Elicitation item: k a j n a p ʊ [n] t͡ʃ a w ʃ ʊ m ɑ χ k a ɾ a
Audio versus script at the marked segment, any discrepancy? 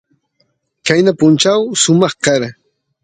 no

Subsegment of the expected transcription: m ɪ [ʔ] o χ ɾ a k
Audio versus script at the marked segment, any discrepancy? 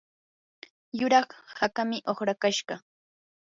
no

